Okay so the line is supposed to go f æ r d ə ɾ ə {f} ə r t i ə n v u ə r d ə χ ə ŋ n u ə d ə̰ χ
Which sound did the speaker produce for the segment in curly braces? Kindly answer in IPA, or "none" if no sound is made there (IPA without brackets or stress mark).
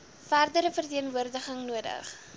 f